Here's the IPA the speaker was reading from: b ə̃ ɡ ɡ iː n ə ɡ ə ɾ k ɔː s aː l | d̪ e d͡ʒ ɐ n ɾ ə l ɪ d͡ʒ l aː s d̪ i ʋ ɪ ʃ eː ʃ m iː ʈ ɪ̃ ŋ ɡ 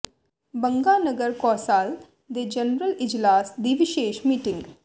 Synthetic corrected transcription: b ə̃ ŋ ɡ aː n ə ɡ ə ɾ k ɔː s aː l | d̪ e d͡ʒ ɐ n ɾ ə l ɪ d͡ʒ l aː s d̪ i ʋ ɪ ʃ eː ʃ m iː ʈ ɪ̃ ŋ ɡ